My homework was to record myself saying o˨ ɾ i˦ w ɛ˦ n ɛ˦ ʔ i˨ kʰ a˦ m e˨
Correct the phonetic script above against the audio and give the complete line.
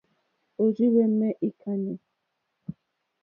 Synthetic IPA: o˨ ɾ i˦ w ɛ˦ m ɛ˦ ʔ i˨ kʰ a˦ n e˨